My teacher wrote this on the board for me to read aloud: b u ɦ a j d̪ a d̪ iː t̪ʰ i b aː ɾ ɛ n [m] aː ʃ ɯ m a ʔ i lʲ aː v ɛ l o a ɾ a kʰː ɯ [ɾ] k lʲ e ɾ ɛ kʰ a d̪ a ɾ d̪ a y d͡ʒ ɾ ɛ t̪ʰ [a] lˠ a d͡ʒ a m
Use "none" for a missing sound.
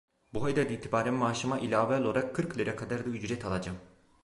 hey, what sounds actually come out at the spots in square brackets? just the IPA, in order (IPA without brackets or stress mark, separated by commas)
m, ɾ, a